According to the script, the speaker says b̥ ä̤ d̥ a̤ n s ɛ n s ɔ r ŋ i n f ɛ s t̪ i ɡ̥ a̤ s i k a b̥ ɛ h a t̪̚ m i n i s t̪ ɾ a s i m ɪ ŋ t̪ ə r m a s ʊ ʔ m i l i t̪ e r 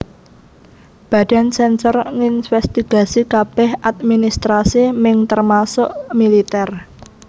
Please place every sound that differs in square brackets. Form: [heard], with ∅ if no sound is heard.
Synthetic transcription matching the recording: b̥ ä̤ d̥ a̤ n s ɛ n s ɔ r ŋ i n f ɛ s t̪ i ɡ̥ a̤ s i k a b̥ ɛ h a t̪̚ m i n i s t̪ ɾ a s i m ɪ ŋ t̪ ə r m a s ʊ ʔ m i l i t̪ [ɛ] r